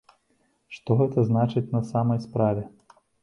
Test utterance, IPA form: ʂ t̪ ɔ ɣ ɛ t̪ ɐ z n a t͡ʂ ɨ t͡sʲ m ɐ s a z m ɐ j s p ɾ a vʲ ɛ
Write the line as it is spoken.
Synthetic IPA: ʂ t̪ ɔ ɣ ɛ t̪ ɐ z n a t͡ʂ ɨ t͡sʲ n ɐ s a m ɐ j s p ɾ a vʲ ɛ